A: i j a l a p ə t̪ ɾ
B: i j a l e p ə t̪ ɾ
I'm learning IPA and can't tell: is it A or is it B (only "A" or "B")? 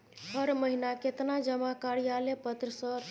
B